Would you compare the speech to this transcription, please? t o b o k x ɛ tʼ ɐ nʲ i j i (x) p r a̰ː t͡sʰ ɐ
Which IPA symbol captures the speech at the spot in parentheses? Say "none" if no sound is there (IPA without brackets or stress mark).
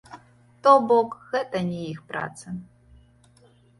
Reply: x